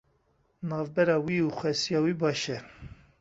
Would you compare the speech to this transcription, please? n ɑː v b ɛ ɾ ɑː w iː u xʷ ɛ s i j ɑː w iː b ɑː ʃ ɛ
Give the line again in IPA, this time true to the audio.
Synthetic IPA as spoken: n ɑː v b ɛ ɾ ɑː w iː u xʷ ɛ s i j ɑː w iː b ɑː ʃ ɛ